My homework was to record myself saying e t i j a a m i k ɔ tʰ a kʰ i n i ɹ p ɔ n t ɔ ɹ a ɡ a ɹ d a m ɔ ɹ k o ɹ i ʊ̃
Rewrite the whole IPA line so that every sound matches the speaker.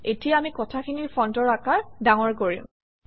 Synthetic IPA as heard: e t i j a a m i k ɔ tʰ a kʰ i n i ɹ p ɔ n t ɔ ɹ a k a ɹ d a ŋ ɔ ɹ k o ɹ i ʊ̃